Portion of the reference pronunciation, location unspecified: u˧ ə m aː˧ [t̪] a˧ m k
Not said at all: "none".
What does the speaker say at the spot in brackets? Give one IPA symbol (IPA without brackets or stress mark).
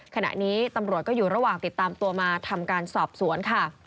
t̪ʰ